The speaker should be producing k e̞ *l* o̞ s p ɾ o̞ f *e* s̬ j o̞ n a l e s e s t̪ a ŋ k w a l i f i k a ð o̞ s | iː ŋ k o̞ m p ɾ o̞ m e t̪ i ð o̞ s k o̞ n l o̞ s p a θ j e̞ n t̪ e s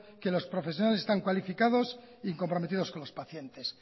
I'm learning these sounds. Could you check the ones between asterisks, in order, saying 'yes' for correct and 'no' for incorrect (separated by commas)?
yes, yes